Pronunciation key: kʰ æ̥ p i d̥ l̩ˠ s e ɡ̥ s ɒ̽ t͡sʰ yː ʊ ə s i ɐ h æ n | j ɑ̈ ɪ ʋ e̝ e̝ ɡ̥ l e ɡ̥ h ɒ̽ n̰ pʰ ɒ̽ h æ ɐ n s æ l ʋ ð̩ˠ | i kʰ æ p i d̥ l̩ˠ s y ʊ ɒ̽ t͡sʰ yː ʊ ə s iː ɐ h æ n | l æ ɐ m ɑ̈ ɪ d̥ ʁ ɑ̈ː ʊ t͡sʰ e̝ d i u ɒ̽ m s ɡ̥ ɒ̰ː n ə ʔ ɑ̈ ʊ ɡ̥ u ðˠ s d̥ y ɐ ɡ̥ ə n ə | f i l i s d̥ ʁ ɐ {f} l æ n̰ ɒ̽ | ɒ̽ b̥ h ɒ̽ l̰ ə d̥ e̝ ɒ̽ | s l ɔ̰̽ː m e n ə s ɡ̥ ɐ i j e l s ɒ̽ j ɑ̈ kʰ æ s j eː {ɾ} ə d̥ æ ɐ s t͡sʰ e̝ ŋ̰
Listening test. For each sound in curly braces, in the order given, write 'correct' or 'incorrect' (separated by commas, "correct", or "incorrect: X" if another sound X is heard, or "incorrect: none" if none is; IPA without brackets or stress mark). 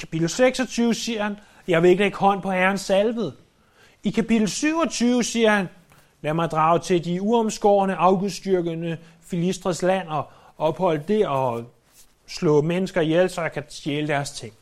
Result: incorrect: s, incorrect: l